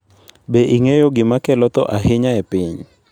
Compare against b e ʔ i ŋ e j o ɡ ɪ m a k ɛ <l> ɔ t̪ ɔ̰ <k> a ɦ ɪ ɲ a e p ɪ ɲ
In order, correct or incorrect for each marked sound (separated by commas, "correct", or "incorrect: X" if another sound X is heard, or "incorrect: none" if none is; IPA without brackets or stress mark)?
correct, incorrect: ʔ